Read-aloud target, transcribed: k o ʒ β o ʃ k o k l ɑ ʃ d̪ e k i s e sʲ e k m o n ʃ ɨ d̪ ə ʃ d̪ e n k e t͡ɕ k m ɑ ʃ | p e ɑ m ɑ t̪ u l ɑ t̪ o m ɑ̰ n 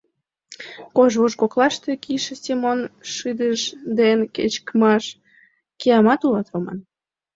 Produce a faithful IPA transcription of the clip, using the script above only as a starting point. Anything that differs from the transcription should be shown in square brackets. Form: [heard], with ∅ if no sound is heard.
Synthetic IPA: k o ʒ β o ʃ k o k l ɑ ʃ [t̪] e k i [ʃ] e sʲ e [∅] m o n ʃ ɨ d̪ ə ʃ d̪ e n k e t͡ɕ k m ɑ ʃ | [k] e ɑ m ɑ t̪ u l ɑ t̪ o m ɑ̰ n